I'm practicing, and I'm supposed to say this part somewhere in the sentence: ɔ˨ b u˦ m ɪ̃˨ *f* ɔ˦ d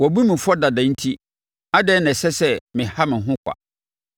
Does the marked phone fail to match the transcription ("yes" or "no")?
no